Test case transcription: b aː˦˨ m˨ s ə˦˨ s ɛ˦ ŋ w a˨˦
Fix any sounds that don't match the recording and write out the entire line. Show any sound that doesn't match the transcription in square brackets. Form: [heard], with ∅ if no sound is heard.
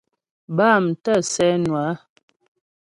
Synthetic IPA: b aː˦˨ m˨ [t] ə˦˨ s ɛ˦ [n] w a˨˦